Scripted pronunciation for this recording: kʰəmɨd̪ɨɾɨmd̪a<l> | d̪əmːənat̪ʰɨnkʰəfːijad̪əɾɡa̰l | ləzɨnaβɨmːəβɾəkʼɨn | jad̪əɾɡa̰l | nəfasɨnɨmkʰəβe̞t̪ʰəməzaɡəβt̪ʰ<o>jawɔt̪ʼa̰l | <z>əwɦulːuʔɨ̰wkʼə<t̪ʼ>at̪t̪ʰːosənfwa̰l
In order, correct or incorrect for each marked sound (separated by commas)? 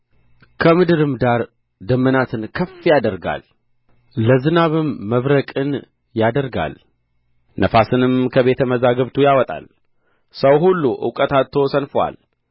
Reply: incorrect, incorrect, incorrect, incorrect